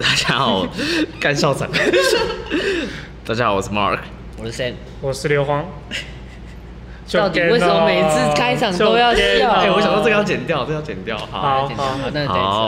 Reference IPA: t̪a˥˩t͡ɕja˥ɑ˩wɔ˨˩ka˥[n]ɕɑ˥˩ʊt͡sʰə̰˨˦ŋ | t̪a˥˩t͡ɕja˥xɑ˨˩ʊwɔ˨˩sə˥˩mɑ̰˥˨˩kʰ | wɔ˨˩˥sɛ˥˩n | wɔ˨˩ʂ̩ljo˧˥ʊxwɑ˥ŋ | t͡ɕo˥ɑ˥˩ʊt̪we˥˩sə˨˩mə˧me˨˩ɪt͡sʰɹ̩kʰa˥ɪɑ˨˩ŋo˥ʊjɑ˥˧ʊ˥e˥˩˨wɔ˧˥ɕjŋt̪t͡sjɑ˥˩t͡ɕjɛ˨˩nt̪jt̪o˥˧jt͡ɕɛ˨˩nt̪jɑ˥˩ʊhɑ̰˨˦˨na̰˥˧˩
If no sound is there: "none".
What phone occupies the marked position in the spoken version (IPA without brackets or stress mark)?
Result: n